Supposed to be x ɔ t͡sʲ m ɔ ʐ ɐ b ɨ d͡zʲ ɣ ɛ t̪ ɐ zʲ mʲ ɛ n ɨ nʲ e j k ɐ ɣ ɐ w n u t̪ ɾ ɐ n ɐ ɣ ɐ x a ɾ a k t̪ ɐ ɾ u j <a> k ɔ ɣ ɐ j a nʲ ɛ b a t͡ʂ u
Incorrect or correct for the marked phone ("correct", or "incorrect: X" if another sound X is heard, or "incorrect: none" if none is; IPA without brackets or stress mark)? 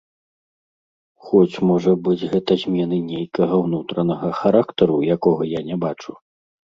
correct